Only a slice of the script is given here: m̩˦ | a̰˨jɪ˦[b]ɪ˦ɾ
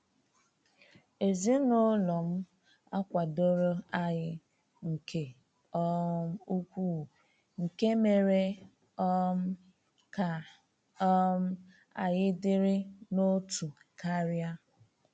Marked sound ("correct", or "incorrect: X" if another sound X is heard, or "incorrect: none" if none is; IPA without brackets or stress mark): incorrect: d